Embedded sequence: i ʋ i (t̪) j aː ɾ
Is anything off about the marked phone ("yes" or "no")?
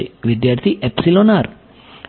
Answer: yes